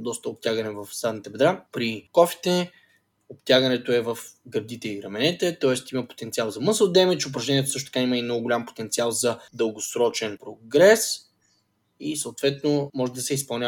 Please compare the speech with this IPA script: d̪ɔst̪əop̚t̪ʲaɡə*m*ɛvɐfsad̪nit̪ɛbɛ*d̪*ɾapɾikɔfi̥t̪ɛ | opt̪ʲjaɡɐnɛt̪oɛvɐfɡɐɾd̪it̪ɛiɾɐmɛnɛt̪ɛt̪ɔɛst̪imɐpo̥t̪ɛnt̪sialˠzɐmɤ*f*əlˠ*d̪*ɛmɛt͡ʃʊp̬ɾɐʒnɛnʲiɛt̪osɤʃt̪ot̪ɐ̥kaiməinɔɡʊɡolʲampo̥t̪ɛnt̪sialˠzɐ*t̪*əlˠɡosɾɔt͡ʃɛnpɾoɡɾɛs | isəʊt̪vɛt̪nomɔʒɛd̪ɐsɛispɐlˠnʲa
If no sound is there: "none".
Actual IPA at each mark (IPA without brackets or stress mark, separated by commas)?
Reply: n, d̪, s, d̪, d̪